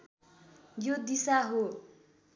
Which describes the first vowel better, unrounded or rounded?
rounded